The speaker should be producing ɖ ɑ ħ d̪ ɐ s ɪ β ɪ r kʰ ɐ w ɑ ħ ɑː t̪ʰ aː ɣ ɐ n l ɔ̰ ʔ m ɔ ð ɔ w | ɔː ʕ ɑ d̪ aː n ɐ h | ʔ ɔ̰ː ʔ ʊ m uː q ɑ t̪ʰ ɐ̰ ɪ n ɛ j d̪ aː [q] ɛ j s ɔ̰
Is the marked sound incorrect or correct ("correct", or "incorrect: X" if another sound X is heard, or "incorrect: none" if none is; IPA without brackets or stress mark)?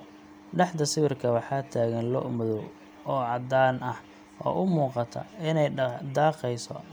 correct